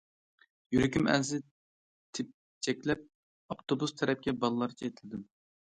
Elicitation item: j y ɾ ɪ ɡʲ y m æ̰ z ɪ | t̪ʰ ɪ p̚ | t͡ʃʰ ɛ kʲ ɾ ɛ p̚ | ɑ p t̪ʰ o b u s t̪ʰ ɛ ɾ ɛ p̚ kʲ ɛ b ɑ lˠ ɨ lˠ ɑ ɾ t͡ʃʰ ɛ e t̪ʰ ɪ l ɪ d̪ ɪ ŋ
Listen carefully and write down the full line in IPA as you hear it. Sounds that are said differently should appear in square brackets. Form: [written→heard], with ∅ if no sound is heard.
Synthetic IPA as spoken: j y ɾ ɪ [ɡʲ→kʲ] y m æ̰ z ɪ | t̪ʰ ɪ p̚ | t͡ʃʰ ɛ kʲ [ɾ→l] ɛ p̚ | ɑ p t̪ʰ o b u s t̪ʰ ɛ ɾ ɛ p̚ kʲ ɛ b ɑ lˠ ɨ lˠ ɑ ɾ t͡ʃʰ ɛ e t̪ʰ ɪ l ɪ d̪ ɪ [ŋ→m]